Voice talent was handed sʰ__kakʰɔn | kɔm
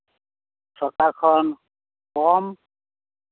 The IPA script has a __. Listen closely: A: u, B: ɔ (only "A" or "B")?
B